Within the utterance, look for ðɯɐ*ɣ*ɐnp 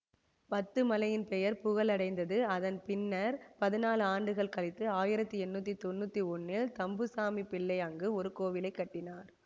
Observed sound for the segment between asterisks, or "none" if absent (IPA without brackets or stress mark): ð